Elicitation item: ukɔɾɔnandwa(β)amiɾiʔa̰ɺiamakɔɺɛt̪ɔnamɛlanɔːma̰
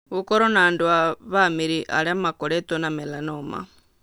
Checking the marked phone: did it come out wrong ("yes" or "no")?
no